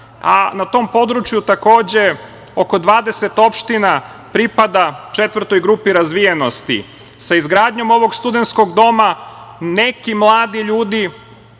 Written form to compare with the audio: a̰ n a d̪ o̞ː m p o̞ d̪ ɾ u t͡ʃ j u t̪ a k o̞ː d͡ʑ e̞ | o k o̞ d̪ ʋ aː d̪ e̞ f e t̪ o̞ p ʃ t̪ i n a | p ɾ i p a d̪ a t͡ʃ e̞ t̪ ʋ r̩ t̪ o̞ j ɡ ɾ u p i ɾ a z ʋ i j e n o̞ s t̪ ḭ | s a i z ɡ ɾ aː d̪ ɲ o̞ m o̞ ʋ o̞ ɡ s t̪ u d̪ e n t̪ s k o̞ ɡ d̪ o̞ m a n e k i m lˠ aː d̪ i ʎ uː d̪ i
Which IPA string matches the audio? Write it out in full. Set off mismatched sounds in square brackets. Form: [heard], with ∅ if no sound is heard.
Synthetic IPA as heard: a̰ n a [t̪] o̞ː m p o̞ d̪ ɾ u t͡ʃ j u t̪ a k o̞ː d͡ʑ e̞ | o k o̞ d̪ ʋ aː d̪ e̞ [s] e t̪ o̞ p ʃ t̪ i n a | p ɾ i p a d̪ a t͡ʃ e̞ t̪ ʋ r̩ t̪ o̞ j ɡ ɾ u p i ɾ a z ʋ i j e n o̞ s t̪ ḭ | s a i z ɡ ɾ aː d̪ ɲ o̞ m o̞ ʋ o̞ ɡ s t̪ u d̪ e n t̪ s k o̞ ɡ d̪ o̞ m a n e k i m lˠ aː d̪ i ʎ uː d̪ i